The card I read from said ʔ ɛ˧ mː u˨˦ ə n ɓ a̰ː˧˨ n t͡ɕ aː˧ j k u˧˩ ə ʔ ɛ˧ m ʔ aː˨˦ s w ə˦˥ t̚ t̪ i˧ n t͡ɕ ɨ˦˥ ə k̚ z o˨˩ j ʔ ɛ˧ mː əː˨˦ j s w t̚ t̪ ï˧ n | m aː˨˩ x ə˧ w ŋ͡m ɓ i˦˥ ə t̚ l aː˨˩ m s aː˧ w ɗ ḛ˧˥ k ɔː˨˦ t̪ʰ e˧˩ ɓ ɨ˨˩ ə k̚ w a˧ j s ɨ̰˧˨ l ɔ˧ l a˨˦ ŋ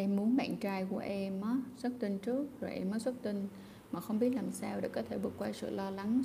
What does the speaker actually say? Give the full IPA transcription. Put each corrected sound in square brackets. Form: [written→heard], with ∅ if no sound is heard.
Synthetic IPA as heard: ʔ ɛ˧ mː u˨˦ ə n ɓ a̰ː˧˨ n t͡ɕ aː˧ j k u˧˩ ə ʔ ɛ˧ m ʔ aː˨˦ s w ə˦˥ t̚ t̪ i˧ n t͡ɕ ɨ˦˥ ə k̚ z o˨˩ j ʔ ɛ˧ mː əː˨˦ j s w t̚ t̪ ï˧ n | m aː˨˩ x ə˧ w ŋ͡m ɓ i˦˥ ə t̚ l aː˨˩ m s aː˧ w ɗ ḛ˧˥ k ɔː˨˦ t̪ʰ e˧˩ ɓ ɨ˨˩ ə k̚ w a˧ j s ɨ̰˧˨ l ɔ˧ l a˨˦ ŋ